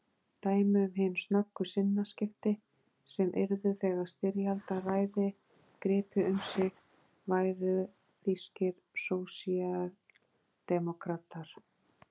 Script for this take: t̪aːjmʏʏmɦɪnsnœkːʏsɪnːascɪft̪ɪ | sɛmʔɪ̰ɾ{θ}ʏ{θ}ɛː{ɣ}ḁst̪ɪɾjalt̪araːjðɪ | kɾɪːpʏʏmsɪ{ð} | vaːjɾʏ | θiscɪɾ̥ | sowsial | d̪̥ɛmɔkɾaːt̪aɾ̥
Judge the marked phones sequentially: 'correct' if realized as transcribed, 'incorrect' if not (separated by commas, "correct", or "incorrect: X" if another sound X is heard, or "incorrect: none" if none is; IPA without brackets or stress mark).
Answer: incorrect: ð, correct, correct, incorrect: ɣ